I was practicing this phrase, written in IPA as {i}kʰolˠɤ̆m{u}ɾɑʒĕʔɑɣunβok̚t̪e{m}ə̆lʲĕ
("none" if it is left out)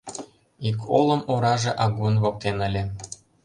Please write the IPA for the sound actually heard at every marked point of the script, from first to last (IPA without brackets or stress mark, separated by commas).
i, o, n